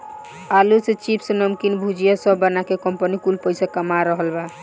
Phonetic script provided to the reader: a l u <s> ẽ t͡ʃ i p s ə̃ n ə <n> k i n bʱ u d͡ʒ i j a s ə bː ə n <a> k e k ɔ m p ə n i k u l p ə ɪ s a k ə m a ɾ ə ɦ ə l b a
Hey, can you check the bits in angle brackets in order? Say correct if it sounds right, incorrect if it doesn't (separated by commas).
correct, incorrect, correct